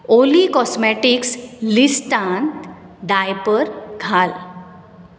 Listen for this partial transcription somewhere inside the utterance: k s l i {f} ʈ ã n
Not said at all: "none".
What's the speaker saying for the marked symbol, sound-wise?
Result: s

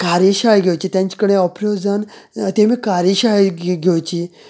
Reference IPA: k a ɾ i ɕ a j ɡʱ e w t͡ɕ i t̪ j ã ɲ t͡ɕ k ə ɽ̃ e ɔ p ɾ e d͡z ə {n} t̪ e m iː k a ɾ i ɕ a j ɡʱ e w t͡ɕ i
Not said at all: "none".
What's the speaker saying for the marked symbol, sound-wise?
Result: n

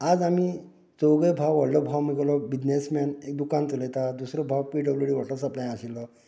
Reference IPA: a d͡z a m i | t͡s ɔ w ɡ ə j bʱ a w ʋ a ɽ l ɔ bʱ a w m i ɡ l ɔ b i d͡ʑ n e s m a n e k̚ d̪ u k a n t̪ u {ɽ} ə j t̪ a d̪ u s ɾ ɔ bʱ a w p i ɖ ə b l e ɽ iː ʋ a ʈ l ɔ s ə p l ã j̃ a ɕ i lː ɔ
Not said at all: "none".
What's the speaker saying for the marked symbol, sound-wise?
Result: l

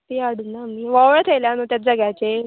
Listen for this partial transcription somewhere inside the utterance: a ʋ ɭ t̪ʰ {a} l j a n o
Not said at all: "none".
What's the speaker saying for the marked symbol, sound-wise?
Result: e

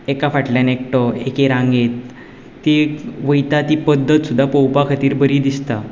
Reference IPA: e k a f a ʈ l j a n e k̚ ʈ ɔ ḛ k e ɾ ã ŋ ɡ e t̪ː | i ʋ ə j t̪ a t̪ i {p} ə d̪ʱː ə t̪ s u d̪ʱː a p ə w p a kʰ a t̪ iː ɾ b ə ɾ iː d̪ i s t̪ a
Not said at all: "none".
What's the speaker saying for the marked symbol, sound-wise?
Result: p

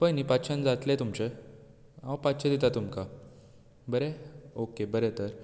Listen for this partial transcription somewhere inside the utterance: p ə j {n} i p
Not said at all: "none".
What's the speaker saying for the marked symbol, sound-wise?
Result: n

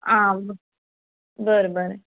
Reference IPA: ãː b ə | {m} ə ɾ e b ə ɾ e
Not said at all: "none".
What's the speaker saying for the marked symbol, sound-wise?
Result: b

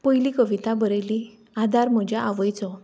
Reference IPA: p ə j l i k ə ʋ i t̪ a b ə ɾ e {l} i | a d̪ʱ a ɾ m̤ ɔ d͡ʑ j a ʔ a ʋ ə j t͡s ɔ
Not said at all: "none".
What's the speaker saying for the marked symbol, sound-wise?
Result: l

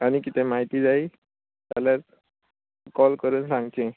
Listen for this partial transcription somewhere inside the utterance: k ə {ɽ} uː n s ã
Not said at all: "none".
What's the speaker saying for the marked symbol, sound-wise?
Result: ɾ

